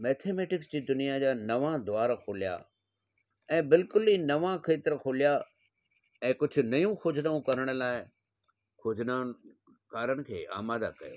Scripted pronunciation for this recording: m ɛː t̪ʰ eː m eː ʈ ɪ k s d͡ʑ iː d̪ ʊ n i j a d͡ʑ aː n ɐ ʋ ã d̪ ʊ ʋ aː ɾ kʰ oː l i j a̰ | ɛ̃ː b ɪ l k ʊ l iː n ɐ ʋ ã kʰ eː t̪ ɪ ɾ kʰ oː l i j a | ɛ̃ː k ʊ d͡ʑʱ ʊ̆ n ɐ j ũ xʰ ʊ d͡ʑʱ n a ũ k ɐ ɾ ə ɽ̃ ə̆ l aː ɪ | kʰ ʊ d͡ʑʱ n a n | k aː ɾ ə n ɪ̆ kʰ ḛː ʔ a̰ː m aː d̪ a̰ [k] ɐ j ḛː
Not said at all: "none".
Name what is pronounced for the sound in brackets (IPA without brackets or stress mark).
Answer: k